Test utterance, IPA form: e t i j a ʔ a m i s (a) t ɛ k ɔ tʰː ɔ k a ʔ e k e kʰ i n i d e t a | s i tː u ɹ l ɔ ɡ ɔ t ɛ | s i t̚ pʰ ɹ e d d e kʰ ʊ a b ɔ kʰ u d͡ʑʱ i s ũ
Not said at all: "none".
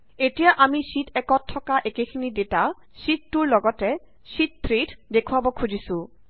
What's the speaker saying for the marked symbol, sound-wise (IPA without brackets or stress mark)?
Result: i